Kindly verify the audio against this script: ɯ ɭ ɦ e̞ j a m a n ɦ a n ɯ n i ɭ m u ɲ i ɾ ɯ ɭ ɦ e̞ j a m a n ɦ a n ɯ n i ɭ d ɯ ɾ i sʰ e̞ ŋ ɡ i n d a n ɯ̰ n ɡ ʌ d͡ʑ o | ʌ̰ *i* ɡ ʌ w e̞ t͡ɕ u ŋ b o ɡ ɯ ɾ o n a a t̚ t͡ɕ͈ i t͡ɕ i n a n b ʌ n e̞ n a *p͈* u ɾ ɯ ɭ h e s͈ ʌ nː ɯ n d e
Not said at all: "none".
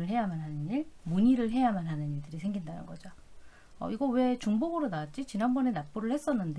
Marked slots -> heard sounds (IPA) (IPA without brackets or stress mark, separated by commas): i, p͈